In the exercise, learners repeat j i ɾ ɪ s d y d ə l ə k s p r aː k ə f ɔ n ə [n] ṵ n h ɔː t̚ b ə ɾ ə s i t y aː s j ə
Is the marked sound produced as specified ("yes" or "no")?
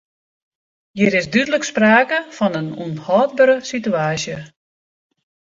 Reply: yes